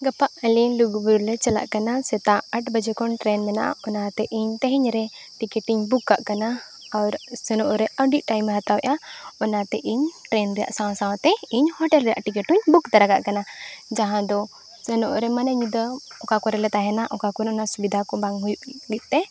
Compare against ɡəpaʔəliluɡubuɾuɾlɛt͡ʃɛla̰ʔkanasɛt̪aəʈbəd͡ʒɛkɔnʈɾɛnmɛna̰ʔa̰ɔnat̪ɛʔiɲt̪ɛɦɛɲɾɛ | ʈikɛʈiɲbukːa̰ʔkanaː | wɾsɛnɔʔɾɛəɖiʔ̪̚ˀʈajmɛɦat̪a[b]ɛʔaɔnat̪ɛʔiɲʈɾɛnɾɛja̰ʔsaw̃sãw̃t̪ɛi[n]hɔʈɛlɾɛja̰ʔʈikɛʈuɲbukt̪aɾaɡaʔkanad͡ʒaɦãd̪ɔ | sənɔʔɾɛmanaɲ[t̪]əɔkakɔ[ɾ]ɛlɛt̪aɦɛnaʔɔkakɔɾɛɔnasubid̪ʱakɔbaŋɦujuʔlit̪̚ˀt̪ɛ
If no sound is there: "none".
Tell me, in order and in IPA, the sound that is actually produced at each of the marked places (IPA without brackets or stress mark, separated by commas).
w, ɲ, d̪, ɾ